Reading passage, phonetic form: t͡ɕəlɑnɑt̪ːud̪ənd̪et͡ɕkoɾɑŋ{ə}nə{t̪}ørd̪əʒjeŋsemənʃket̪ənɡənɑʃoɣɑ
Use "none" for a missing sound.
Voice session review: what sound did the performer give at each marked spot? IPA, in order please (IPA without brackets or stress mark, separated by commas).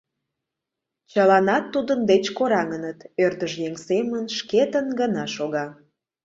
ə, t̪